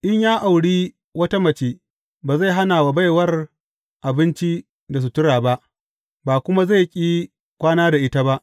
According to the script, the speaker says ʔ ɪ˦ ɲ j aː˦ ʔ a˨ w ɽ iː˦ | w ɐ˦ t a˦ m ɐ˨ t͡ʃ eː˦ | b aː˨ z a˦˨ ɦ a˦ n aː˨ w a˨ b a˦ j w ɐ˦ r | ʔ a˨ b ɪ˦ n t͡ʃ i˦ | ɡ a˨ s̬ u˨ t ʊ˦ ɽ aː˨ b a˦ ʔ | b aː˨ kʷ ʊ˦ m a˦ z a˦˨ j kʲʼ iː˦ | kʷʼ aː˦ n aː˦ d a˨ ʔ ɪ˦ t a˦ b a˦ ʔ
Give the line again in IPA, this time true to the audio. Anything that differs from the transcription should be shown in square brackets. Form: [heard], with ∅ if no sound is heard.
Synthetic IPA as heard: ʔ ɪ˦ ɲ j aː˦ ʔ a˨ w ɽ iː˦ | w ɐ˦ t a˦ m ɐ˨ t͡ʃ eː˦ | b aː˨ z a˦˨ ɦ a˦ n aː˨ w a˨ b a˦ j w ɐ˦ r | ʔ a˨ b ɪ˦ n t͡ʃ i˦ | [d] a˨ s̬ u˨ t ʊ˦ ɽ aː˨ b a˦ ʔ | b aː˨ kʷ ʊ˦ m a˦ z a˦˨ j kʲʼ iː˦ | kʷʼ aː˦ n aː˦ d a˨ ʔ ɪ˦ t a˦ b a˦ ʔ